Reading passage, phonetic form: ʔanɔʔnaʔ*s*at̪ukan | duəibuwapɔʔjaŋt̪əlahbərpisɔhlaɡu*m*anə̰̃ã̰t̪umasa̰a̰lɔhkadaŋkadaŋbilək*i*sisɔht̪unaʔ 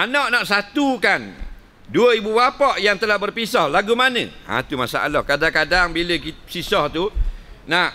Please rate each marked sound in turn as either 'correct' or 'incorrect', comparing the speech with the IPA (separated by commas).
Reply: correct, correct, correct